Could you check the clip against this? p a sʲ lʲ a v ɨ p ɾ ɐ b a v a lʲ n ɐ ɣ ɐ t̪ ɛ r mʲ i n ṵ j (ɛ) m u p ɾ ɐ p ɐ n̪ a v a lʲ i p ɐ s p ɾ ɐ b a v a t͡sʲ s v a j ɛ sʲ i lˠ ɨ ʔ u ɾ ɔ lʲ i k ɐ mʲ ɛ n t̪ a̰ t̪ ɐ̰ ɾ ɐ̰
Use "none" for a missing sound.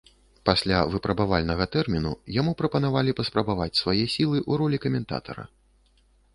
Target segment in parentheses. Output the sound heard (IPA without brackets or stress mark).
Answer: a